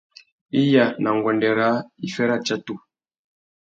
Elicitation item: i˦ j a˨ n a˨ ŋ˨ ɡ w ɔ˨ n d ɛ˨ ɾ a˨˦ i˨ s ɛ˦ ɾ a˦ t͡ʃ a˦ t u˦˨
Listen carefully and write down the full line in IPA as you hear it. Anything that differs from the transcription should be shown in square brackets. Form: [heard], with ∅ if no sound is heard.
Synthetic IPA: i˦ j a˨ n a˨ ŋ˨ ɡ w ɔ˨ n d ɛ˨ ɾ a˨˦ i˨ [f] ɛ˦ ɾ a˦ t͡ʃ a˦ t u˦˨